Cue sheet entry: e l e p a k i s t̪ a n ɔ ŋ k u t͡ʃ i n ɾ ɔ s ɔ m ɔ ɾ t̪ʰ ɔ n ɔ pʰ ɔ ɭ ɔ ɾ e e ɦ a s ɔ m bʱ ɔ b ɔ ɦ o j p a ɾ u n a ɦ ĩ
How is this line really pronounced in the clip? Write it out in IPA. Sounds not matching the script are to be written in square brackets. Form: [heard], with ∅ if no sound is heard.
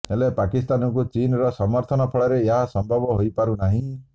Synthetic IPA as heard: e l e p a k i s t̪ a n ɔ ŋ k u t͡ʃ i n ɾ ɔ s ɔ m ɔ ɾ t̪ʰ ɔ n ɔ pʰ ɔ ɭ ɔ ɾ e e ɦ a s ɔ m bʱ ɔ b ɔ ɦ o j p a ɾ u n a ɦ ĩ